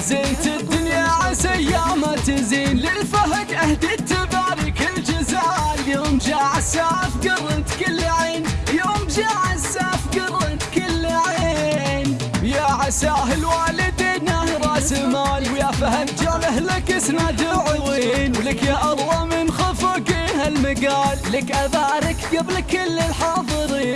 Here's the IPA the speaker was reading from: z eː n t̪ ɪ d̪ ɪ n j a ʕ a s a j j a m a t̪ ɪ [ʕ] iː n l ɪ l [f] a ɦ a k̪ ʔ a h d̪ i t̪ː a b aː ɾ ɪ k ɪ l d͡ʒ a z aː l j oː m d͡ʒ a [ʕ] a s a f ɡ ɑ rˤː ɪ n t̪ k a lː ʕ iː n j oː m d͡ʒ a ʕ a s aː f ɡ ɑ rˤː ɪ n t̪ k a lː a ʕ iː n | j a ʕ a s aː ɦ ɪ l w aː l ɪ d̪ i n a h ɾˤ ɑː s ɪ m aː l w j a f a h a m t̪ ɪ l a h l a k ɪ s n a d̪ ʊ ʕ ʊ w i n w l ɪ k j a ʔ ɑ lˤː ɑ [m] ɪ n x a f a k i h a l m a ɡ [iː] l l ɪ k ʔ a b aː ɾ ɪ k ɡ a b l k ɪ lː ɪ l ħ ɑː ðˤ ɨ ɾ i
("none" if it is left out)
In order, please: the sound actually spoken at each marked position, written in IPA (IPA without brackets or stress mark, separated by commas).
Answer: z, f, ʕ, m, aː